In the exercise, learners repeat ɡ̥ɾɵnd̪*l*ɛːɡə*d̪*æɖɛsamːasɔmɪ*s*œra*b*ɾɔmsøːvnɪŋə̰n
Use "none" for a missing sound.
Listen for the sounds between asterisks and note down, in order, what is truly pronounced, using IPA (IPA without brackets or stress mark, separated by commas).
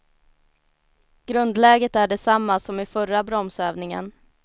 l, t̪, f, b